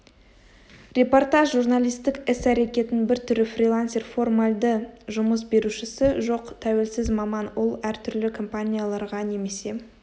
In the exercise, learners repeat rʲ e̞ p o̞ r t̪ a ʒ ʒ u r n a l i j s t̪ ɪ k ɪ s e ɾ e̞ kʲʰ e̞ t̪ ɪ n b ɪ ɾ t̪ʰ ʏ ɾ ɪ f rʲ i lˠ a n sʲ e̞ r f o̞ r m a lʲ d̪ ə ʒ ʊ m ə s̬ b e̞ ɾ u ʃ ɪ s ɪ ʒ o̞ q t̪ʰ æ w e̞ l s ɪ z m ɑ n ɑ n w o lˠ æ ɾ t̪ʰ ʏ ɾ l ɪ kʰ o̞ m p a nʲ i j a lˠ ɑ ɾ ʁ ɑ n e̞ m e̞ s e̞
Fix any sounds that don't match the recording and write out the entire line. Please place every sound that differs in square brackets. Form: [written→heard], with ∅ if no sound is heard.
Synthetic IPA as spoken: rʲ e̞ p o̞ r t̪ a ʒ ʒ u r n a l i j s t̪ ɪ k ɪ s [e→æ] ɾ e̞ [kʲʰ→kʲ] e̞ t̪ ɪ n b ɪ ɾ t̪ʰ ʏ ɾ ɪ f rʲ i lˠ a n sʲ e̞ r f o̞ r m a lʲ d̪ ə ʒ ʊ m ə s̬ b e̞ ɾ u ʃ ɪ s ɪ ʒ o̞ q t̪ʰ æ w e̞ l s ɪ z m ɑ [n→m] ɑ n w o lˠ æ ɾ t̪ʰ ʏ ɾ l ɪ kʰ o̞ m p a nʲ i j a lˠ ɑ ɾ ʁ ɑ n e̞ m e̞ s e̞